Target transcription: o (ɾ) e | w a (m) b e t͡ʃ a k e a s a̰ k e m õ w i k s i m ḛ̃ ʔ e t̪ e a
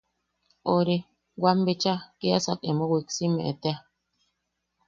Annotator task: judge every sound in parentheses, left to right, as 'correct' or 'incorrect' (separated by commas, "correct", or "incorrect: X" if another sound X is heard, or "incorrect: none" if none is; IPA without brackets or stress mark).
correct, correct